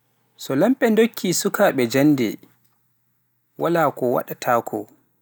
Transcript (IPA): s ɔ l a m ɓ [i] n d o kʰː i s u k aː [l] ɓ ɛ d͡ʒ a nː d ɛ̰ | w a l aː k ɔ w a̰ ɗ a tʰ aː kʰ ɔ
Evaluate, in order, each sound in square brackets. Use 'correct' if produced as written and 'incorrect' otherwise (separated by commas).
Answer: incorrect, incorrect